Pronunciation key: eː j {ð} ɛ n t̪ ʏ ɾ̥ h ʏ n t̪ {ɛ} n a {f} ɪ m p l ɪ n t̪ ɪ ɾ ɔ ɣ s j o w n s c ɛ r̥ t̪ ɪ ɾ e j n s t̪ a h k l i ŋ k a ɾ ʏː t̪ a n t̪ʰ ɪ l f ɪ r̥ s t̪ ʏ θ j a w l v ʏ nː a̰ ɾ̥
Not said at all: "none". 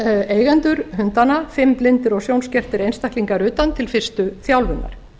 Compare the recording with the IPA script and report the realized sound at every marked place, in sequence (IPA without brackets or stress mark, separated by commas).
ɣ, a, f